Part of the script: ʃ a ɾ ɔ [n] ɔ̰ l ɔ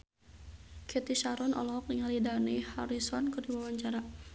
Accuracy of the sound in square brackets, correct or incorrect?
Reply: correct